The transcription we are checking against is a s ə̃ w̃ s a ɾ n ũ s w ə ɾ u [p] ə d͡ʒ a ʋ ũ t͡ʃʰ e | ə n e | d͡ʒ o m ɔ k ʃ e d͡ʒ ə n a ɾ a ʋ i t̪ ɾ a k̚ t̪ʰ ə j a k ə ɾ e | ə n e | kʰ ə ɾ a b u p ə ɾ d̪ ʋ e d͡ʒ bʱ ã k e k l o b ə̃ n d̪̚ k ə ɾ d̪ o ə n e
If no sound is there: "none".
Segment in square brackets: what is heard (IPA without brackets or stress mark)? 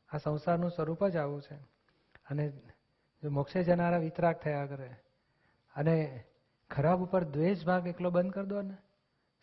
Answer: p